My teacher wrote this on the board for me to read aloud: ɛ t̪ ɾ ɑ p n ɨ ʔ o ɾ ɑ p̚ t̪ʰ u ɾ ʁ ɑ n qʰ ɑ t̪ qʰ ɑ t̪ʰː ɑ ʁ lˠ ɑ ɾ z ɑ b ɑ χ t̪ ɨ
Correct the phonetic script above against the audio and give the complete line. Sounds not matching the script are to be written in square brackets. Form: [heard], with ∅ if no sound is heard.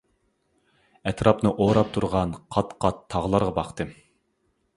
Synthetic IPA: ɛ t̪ ɾ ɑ p n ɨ ʔ o ɾ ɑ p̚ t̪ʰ u ɾ ʁ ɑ n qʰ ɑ t̪ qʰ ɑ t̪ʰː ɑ ʁ lˠ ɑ ɾ [ʁ] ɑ b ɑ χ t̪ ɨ